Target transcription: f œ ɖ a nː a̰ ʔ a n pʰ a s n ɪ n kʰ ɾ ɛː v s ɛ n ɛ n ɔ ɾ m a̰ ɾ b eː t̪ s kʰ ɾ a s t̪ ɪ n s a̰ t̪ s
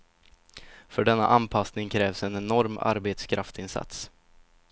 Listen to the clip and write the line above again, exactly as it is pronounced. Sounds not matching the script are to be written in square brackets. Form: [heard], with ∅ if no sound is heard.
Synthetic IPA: f œ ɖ [ɛ] nː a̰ ʔ a n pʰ a s n ɪ [ŋ] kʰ ɾ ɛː v s ɛ n ɛ n ɔ ɾ m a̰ ɾ b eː t̪ s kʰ ɾ a [f] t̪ ɪ n s a̰ t̪ s